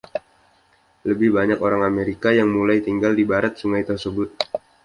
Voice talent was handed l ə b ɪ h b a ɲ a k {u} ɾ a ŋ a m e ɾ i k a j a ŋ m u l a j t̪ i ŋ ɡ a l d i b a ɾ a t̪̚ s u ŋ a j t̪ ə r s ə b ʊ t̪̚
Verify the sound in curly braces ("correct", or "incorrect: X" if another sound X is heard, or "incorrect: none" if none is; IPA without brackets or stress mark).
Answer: incorrect: o